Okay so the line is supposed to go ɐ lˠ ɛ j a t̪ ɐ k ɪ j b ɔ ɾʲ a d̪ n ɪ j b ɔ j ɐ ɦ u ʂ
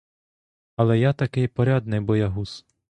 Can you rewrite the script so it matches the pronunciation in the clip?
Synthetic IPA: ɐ lˠ ɛ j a t̪ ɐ k ɪ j p ɔ ɾʲ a d̪ n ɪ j b ɔ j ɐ ɦ u s